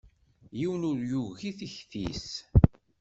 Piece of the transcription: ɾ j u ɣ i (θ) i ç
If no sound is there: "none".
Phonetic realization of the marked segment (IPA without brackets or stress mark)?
θ